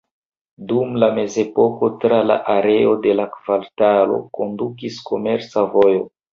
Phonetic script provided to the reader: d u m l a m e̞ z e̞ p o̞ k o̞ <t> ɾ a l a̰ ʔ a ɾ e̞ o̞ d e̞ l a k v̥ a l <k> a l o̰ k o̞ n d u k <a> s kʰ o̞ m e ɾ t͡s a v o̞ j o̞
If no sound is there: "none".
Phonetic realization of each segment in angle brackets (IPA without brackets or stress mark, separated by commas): t, t, i